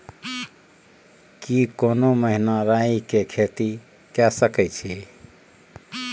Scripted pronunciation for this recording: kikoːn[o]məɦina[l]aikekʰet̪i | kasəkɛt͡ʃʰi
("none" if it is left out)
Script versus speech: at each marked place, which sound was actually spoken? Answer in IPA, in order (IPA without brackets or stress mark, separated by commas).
o, ɾ